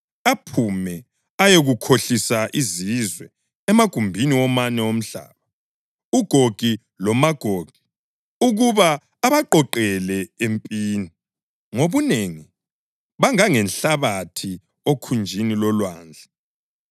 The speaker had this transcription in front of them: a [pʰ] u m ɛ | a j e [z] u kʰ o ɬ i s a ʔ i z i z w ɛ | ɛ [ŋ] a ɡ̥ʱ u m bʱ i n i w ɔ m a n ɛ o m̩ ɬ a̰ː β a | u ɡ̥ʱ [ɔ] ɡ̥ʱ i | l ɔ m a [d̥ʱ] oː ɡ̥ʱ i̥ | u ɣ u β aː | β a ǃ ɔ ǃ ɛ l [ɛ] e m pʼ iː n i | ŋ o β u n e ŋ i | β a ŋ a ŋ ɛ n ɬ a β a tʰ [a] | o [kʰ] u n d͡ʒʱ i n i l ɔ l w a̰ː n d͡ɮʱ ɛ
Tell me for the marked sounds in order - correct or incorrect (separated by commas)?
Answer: correct, incorrect, incorrect, incorrect, incorrect, correct, incorrect, correct